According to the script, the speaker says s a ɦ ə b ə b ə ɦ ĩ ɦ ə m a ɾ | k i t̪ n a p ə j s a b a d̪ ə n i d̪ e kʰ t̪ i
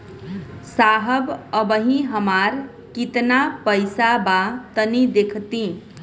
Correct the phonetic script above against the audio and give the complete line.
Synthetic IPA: s a ɦ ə b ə b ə ɦ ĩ ɦ ə m a ɾ | k i t̪ n a p ə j s a b a t̪ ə n i d̪ e kʰ t̪ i